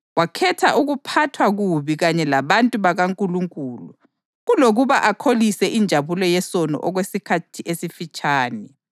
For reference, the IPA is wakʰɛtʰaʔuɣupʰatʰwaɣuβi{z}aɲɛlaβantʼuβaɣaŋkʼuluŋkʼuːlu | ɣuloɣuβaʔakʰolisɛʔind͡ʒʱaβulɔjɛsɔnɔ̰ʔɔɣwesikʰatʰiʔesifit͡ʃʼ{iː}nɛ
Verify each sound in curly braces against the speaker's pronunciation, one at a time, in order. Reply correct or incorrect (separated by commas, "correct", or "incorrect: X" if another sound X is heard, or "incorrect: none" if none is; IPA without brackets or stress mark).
incorrect: ɣ, incorrect: aː